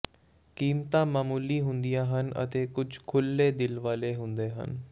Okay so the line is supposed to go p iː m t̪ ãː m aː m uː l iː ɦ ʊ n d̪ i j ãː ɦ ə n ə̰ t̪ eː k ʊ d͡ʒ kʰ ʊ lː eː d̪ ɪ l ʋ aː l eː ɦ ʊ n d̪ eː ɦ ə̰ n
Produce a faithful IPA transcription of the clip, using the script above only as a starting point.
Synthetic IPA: k iː m t̪ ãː m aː m uː l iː ɦ ʊ n d̪ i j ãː ɦ ə n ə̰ t̪ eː k ʊ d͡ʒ kʰ ʊ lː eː d̪ ɪ l ʋ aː l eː ɦ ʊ n d̪ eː ɦ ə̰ n